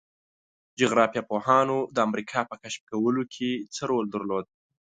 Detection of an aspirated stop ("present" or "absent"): present